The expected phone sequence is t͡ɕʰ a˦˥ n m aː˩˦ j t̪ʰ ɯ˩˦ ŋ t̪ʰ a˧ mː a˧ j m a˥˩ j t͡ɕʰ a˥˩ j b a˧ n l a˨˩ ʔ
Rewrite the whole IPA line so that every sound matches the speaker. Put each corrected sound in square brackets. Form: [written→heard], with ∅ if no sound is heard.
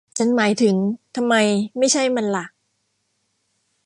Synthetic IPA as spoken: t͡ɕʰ a˦˥ n m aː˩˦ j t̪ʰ ɯ˩˦ ŋ t̪ʰ a˧ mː a˧ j m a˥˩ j t͡ɕʰ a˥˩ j [b→m] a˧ n l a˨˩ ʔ